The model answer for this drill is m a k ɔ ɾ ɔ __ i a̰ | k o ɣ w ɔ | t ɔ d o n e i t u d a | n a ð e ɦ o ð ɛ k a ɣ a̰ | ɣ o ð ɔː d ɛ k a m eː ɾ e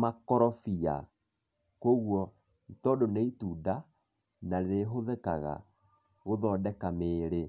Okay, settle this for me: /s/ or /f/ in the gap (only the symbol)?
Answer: f